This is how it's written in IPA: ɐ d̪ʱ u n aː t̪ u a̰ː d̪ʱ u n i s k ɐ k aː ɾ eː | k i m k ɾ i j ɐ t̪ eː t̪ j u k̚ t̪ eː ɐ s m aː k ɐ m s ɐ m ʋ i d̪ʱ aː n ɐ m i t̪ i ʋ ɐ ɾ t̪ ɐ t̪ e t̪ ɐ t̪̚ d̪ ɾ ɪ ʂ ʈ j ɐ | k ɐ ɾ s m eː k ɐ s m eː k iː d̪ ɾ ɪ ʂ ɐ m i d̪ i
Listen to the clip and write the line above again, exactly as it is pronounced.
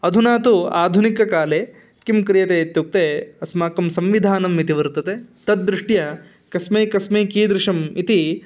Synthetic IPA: ɐ d̪ʱ u n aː t̪ u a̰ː d̪ʱ u n i k ɐ k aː l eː | k i m k ɾ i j ɐ t̪ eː t̪ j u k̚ t̪ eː ɐ s m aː k ɐ m s ɐ m ʋ i d̪ʱ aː n ɐ m i t̪ i ʋ ɐ ɾ t̪ ɐ t̪ e t̪ ɐ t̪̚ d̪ ɾ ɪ ʂ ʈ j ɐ | k ɐ s m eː k ɐ s m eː k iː d̪ ɾ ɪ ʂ ɐ m i t̪ i